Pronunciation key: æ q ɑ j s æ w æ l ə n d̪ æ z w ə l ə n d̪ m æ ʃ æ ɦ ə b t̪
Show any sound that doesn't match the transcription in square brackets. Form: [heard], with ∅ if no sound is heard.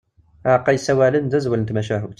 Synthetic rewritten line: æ q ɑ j s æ w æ l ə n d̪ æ z w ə l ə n [t̪] m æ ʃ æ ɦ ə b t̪

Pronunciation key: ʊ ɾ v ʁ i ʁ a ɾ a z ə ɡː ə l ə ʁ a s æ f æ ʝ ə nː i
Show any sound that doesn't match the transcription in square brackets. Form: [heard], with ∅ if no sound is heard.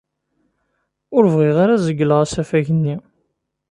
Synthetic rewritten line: ʊ ɾ v ʁ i ʁ a ɾ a z ə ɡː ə l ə ʁ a s æ f æ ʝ ə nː i

